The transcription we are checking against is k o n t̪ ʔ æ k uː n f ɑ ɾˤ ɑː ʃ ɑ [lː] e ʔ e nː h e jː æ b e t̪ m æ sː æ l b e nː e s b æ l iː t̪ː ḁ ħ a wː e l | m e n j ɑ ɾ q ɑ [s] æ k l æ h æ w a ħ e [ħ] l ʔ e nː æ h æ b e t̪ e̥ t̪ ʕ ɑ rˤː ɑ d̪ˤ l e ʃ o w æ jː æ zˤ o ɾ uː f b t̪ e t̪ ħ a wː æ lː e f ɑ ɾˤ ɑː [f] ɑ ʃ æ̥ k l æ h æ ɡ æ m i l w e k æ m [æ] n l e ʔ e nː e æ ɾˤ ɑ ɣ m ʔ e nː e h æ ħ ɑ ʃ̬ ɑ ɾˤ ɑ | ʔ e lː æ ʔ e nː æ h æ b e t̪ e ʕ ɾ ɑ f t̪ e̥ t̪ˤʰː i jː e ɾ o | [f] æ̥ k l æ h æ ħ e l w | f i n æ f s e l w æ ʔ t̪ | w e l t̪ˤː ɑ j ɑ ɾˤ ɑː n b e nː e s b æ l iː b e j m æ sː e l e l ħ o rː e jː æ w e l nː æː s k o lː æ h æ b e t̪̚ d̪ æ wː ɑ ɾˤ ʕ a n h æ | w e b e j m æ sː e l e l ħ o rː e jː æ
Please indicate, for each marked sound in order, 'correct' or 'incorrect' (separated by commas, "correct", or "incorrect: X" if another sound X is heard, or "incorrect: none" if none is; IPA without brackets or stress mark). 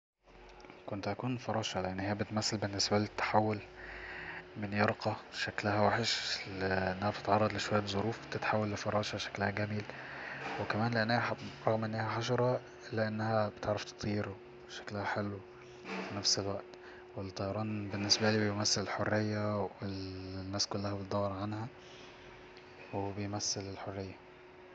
incorrect: l, incorrect: ʃ, incorrect: ʃ, incorrect: ʃ, incorrect: æː, incorrect: ʃ